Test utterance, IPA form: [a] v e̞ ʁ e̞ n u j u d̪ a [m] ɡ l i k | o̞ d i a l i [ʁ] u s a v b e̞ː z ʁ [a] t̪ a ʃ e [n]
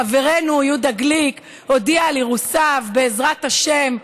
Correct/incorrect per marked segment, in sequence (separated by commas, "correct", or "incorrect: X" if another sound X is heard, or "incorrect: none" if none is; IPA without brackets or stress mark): correct, incorrect: none, correct, correct, incorrect: m